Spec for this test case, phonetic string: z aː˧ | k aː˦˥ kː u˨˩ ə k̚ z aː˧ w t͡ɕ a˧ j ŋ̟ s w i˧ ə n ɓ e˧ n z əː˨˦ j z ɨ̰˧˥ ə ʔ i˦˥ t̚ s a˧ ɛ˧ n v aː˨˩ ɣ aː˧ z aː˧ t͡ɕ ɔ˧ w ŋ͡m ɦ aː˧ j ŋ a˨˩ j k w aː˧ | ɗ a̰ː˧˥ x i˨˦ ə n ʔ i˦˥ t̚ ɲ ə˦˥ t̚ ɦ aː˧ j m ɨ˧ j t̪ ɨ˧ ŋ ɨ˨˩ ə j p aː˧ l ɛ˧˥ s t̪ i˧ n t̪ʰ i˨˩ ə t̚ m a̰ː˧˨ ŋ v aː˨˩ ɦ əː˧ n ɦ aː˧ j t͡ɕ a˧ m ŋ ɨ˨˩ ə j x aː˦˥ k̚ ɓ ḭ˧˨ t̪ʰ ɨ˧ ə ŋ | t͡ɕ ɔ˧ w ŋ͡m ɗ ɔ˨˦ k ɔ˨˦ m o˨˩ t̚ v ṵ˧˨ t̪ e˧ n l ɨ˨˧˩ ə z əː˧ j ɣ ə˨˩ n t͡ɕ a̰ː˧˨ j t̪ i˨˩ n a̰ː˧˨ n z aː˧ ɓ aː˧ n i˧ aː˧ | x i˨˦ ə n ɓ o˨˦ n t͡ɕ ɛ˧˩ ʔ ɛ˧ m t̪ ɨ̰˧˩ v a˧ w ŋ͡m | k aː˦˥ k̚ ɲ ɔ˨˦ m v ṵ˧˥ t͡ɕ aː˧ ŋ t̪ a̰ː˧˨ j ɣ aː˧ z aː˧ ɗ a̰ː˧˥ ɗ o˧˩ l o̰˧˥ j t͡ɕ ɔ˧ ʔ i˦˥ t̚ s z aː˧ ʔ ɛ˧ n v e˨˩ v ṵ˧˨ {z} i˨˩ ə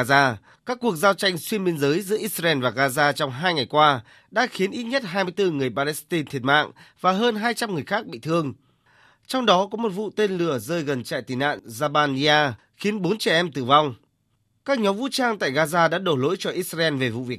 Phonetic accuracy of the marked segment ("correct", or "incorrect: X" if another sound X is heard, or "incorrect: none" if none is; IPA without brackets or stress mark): incorrect: v